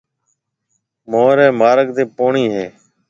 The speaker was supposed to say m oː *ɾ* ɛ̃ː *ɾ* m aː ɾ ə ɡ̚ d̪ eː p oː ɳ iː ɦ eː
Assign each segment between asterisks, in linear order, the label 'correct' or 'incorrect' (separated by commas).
correct, incorrect